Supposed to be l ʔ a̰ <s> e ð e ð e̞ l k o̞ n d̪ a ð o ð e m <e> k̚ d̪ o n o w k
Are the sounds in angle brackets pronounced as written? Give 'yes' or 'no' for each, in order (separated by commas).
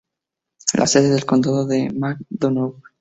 yes, no